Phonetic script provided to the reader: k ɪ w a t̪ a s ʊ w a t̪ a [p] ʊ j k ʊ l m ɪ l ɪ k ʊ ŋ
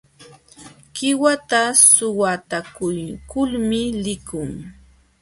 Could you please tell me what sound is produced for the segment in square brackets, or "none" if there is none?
k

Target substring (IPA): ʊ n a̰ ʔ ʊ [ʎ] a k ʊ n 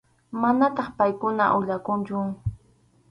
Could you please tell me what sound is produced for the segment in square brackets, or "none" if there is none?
ʎ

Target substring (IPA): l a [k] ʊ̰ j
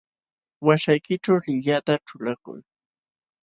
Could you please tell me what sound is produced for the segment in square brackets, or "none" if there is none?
k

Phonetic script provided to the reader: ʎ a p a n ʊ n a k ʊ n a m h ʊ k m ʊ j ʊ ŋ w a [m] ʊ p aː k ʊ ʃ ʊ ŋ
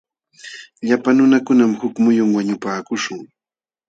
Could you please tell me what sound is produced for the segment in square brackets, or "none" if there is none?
ɲ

